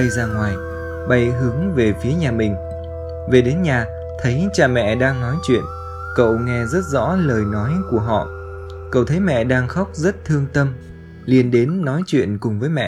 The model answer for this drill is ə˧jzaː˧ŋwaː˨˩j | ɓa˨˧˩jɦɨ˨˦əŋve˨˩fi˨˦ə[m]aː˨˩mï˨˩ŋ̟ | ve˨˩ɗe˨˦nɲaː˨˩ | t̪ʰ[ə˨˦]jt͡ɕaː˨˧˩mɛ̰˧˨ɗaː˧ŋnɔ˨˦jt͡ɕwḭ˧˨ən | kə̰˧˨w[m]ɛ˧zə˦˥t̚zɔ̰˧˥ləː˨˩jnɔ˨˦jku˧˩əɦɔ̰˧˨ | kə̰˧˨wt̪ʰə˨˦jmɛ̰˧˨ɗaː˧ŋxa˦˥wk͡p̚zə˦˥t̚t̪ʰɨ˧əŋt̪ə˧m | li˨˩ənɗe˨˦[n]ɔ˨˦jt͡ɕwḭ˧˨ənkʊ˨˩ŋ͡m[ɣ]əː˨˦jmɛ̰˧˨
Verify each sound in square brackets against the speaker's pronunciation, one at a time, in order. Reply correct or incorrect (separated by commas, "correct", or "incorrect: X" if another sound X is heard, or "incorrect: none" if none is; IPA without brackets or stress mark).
incorrect: ɲ, correct, incorrect: ŋ, incorrect: nː, incorrect: v